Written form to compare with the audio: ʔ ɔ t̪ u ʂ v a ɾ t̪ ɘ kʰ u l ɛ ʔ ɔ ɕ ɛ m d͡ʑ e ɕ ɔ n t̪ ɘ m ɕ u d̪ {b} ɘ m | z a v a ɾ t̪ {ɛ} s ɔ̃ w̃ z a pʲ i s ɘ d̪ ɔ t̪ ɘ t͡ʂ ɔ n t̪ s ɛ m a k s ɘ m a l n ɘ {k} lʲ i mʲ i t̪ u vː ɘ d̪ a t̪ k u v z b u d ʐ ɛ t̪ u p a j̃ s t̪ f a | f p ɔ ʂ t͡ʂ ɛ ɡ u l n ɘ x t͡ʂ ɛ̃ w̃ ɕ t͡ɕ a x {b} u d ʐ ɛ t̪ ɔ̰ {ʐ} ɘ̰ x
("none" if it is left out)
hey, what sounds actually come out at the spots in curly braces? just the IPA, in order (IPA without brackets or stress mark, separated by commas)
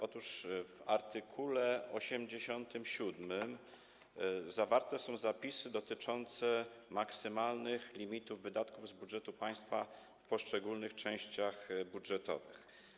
m, ɛ, x, b, v